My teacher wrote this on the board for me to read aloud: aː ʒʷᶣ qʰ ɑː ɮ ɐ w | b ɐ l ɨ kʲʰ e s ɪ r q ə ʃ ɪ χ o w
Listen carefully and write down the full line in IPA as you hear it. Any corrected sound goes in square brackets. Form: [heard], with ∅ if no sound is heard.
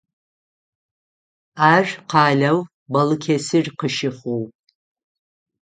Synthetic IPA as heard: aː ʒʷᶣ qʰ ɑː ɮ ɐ w | b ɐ l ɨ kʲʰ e s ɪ r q ə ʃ ɪ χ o w